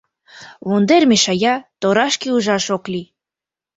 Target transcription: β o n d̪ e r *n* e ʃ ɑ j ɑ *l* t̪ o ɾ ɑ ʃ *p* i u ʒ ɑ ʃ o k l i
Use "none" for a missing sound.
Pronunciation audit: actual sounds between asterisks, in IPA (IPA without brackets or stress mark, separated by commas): m, none, k